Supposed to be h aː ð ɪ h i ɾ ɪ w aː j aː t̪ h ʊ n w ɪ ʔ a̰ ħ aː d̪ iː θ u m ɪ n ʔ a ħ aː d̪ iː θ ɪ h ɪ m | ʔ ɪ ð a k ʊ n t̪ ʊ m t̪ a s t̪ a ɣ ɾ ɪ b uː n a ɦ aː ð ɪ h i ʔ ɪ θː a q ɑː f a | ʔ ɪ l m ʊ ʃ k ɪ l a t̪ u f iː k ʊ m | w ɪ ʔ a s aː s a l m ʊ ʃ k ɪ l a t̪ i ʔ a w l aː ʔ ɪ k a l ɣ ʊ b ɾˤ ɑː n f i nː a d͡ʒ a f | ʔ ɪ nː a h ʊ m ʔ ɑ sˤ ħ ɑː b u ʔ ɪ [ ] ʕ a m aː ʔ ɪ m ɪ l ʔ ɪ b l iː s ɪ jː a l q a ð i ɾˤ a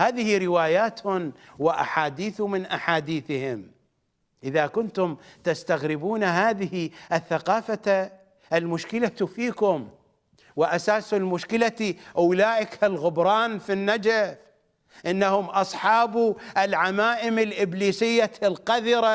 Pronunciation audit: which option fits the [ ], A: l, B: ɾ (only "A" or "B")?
A